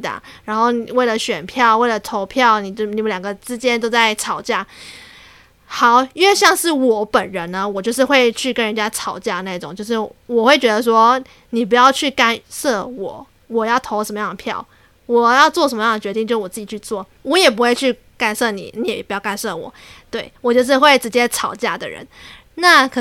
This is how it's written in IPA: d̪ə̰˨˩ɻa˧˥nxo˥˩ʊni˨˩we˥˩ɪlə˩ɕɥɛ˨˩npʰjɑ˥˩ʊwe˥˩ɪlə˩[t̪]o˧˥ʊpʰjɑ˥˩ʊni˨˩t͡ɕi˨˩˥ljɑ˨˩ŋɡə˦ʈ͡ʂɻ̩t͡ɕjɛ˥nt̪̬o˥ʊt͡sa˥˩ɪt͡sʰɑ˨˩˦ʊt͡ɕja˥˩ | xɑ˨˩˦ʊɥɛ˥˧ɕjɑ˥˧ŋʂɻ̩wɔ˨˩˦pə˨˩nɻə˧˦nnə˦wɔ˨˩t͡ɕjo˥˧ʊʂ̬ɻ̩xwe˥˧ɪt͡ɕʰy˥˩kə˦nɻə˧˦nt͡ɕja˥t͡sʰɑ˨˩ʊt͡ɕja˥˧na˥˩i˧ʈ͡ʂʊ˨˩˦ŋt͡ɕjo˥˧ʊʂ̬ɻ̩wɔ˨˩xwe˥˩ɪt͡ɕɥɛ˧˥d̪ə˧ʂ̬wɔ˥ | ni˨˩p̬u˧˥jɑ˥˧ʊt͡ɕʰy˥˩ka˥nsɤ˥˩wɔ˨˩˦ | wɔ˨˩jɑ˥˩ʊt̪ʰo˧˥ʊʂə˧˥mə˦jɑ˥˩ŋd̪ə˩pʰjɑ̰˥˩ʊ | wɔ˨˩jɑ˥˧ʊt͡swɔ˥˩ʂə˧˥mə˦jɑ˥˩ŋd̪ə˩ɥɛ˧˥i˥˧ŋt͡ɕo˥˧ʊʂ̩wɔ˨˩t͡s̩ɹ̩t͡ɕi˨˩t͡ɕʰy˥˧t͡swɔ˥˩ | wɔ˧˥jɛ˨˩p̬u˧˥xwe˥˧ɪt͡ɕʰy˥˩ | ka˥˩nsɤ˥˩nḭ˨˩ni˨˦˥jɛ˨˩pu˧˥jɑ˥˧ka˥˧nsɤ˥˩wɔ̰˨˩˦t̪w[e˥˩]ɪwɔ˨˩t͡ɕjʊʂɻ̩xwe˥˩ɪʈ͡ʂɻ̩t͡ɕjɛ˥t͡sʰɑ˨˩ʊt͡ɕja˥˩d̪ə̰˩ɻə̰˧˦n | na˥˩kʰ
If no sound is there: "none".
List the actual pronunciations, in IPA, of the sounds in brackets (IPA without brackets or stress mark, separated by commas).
t̪ʰ, e˥˩